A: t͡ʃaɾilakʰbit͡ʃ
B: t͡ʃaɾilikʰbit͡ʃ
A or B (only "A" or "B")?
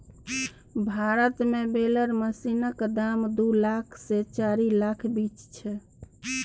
A